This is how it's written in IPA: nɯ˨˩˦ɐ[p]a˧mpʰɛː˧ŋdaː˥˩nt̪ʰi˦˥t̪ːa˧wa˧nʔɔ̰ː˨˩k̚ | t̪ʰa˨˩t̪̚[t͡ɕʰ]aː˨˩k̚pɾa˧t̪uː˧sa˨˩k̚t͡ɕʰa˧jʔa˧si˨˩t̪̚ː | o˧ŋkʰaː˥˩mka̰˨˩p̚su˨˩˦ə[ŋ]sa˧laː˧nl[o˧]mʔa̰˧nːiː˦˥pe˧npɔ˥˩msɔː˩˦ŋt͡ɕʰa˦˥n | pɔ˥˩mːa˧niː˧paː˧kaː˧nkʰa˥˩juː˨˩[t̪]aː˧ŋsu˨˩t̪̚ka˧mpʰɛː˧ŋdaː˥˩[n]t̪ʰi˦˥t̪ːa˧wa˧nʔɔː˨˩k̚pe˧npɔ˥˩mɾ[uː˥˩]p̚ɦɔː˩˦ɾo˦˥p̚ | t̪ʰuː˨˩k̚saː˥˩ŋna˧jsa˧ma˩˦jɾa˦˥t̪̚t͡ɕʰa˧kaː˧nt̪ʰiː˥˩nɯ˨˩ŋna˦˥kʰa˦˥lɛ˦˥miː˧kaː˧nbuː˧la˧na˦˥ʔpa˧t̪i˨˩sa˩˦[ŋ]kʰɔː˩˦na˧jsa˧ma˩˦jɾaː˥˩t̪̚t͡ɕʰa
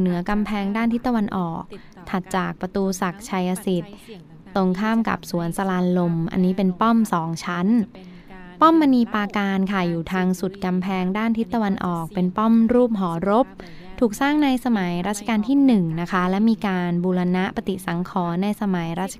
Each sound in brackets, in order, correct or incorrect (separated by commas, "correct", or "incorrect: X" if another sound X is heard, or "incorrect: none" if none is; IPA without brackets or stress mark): incorrect: k, incorrect: t͡ɕ, incorrect: n, correct, incorrect: t̪ʰ, correct, correct, correct